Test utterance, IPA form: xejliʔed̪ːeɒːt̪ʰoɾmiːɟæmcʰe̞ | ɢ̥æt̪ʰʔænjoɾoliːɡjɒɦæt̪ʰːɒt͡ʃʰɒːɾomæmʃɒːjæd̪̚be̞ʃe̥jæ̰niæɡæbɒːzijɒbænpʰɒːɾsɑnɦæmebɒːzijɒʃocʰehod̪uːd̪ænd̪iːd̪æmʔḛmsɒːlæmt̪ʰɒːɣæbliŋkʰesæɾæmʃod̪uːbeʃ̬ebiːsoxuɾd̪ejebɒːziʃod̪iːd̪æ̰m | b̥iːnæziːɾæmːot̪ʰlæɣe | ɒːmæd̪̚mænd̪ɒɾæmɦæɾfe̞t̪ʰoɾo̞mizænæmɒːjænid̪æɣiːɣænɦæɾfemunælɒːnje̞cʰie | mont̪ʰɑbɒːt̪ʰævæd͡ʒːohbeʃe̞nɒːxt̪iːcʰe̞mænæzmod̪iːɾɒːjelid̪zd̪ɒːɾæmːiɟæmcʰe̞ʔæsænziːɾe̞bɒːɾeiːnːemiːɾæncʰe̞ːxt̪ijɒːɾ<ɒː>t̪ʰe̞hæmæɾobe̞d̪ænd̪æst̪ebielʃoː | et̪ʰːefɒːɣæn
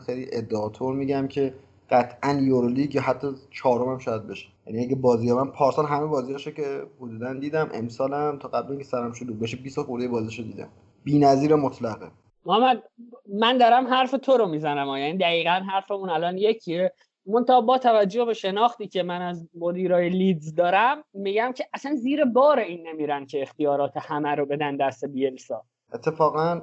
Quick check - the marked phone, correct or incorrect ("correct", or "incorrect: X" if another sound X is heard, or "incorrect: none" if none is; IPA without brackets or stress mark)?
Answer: correct